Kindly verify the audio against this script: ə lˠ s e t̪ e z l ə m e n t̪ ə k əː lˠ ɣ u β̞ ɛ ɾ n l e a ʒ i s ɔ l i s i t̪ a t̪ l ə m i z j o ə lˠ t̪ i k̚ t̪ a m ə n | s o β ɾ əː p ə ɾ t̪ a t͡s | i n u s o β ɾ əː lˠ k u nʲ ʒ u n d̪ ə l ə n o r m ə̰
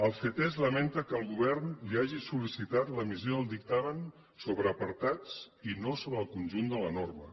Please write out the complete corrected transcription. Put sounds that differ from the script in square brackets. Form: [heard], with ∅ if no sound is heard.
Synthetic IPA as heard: ə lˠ [f] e t̪ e z l ə m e n t̪ ə k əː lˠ ɣ u β̞ ɛ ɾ n l [i] a ʒ i s [u] l i s i t̪ a t̪ l ə m i z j o ə lˠ [d̪] i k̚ t̪ a m ə n | s o β ɾ əː p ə ɾ t̪ a t͡s | i n [o] s o β ɾ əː lˠ k u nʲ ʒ u n d̪ ə l ə n o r m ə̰